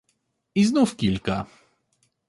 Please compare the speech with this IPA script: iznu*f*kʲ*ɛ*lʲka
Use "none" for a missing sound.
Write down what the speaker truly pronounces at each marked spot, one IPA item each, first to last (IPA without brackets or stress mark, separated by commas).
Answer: f, i